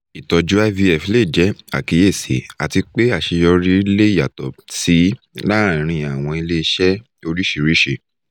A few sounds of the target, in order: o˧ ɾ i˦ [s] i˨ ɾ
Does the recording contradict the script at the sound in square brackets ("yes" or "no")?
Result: yes